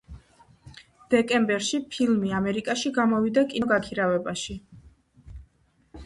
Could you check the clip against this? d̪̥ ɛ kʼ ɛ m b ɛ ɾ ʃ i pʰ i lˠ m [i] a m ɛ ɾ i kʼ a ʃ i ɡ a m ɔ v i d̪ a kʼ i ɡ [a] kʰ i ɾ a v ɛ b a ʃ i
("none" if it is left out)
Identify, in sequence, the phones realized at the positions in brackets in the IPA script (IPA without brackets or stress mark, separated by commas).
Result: i, a